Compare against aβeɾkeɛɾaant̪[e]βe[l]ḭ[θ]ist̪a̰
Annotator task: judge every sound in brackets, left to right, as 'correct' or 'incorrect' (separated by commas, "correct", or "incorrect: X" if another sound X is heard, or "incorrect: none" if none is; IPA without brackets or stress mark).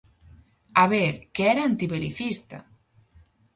incorrect: i, correct, correct